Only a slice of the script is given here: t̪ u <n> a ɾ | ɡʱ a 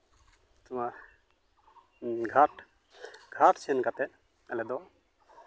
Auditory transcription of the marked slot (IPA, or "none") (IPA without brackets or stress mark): m